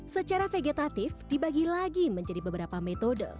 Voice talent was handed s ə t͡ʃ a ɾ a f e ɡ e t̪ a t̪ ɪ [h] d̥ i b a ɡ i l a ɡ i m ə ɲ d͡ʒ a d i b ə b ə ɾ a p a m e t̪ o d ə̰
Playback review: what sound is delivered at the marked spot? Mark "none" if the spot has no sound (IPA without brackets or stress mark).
f